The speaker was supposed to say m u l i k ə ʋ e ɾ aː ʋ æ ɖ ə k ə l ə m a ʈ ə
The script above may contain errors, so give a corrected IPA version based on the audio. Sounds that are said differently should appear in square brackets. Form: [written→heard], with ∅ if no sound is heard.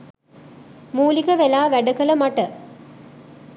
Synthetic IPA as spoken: m [u→uː] l i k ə ʋ e [ɾ→l] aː ʋ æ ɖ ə k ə l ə m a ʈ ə